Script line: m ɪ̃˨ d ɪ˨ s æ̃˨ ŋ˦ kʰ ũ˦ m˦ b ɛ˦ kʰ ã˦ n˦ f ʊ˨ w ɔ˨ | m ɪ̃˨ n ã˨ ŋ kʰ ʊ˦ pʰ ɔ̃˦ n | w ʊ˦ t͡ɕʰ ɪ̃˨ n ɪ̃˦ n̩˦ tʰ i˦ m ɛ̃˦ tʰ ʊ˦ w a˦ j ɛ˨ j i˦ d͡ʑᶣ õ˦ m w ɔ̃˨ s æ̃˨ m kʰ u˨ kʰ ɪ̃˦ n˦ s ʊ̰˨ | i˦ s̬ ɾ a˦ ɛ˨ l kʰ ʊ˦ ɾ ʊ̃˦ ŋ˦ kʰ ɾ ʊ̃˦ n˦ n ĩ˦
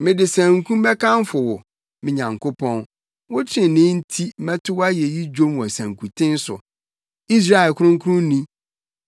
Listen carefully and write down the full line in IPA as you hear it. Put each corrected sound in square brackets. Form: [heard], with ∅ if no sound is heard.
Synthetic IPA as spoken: m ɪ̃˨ d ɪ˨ s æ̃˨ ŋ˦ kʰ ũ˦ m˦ b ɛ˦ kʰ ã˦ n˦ f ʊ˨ w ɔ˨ | m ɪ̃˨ [ɲ] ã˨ ŋ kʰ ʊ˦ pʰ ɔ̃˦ n | w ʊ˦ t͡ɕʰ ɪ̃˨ n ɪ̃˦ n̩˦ tʰ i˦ m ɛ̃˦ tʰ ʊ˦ w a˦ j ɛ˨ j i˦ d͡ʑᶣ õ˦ m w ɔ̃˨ s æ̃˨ [ŋ] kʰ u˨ [tʰ] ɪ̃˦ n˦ s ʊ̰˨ | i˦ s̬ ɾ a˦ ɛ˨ l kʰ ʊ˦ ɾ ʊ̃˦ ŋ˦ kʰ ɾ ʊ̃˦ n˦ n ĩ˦